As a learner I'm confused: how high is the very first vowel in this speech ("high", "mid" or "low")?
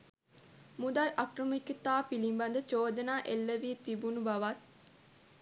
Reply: high